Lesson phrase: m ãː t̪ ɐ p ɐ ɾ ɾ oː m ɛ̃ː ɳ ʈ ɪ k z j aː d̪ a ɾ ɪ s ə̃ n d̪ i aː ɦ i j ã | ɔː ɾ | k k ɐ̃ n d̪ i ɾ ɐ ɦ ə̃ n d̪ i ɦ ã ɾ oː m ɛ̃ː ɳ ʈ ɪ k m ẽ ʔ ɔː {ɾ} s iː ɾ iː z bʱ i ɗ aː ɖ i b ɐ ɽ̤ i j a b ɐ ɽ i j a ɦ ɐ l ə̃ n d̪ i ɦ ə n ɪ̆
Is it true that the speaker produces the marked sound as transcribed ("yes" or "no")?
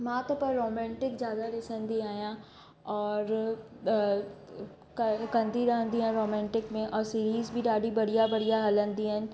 yes